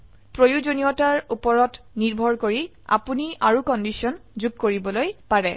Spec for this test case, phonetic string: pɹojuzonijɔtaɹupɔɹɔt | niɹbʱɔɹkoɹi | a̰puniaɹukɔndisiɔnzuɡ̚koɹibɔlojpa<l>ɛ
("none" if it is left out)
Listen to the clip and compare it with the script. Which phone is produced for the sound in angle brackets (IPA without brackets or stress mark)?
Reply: ɹ